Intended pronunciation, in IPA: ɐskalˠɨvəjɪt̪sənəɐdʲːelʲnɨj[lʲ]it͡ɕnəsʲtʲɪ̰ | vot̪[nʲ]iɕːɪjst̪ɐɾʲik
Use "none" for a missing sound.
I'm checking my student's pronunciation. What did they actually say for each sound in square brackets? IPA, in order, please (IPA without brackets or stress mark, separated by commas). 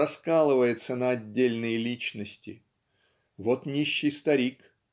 lʲ, nʲ